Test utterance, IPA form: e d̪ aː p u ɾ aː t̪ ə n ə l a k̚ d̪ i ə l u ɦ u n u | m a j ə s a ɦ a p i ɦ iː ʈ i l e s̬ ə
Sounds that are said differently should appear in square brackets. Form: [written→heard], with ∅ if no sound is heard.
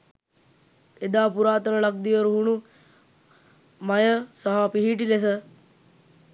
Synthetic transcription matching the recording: e d̪ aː p u ɾ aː t̪ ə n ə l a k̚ d̪ i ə [l→ɾ] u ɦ u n u | m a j ə s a ɦ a p i ɦ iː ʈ i l e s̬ ə